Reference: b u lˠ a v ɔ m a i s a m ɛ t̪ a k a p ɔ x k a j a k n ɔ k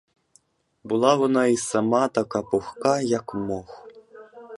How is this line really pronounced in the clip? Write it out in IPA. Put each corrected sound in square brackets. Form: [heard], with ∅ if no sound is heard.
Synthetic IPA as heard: b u lˠ a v ɔ [n] a i s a m [a] t̪ a k a p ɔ x k a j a k [m] ɔ [x]